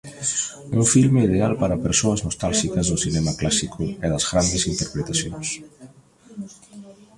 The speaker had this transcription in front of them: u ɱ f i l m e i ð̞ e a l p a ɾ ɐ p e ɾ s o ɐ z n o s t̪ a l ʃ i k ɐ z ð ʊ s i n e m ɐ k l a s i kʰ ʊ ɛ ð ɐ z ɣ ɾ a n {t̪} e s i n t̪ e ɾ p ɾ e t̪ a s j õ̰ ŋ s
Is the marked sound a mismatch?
yes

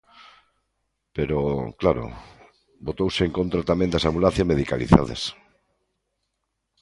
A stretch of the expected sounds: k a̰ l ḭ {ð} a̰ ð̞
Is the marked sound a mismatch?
yes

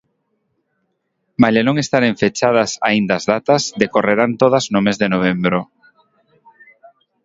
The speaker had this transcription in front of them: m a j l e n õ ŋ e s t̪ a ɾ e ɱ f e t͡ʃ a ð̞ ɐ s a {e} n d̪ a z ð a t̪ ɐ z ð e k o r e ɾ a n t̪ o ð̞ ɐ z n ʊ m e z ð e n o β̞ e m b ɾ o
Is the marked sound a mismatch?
yes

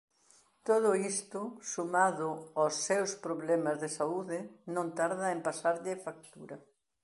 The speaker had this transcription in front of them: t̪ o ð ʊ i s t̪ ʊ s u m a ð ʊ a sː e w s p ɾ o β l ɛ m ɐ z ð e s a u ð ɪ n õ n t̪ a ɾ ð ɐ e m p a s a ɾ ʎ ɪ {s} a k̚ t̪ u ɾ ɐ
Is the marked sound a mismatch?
yes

